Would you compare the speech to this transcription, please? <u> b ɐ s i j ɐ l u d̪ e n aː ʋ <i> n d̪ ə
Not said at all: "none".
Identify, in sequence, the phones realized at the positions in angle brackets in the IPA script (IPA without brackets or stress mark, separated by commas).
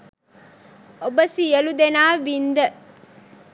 o, i